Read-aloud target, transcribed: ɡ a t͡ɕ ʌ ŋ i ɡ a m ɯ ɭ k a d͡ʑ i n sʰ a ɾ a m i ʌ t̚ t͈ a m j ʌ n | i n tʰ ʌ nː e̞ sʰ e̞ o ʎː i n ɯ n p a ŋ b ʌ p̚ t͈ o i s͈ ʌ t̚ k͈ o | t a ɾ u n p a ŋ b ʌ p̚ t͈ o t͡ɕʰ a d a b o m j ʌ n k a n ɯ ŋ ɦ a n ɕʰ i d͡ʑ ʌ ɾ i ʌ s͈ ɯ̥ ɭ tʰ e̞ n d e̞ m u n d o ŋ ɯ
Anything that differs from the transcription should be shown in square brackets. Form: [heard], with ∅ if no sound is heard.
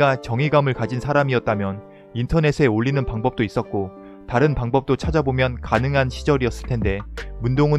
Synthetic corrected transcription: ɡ a t͡ɕ ʌ ŋ i ɡ a m ɯ ɭ k a d͡ʑ i n sʰ a ɾ a m i ʌ t̚ t͈ a m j ʌ n | i n tʰ ʌ [n] e̞ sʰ e̞ o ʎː i n ɯ n p a ŋ b ʌ p̚ t͈ o i s͈ ʌ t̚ k͈ o | t a ɾ [ɯ] n p a ŋ b ʌ p̚ t͈ o t͡ɕʰ a [d͡ʑ] a b o m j ʌ n k a n ɯ ŋ ɦ a n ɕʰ i d͡ʑ ʌ ɾ i ʌ s͈ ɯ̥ ɭ tʰ e̞ n d e̞ m u n d o ŋ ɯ